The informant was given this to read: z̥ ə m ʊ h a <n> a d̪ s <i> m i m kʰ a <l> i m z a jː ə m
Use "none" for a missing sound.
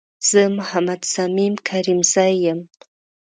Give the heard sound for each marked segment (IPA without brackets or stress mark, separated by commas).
m, a, ɾ